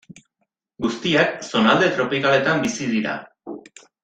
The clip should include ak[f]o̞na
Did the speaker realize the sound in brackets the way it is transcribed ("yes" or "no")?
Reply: no